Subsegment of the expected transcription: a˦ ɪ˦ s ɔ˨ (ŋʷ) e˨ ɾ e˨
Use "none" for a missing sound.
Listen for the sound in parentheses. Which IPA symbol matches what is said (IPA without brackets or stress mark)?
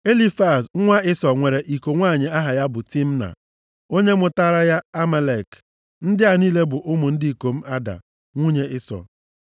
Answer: ŋʷ